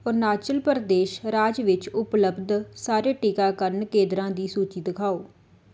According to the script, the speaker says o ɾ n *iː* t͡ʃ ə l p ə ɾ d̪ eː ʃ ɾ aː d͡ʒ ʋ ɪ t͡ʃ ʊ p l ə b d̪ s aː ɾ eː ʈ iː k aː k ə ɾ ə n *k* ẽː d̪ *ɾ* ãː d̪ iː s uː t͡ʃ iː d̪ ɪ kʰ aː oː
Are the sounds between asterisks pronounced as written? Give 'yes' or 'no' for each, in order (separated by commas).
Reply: no, yes, yes